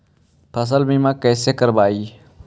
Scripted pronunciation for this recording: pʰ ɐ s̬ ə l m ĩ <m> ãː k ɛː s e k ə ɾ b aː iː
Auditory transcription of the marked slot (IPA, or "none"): m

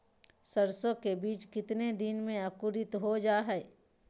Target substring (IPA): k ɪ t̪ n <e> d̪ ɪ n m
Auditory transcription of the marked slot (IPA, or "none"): e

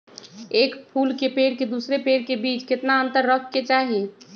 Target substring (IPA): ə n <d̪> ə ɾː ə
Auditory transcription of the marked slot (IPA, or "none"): t̪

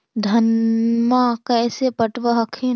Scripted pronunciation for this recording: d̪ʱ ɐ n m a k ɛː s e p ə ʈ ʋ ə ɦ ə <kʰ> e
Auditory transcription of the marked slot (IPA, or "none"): kʰ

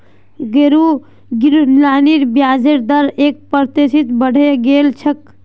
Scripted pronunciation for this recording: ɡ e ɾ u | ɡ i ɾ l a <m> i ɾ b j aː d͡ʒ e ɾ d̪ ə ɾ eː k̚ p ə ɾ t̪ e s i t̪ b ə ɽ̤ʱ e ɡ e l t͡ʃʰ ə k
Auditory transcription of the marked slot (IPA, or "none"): n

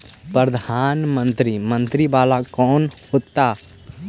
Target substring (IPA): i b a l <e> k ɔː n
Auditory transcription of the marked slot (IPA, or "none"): a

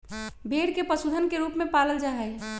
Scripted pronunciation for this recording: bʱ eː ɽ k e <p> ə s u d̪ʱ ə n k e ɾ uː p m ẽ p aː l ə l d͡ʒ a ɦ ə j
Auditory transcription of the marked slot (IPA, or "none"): p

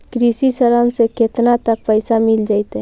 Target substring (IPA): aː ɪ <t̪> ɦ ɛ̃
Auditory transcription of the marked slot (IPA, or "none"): t̪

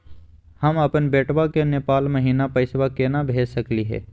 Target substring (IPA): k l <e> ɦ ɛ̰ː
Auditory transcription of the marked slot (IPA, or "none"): i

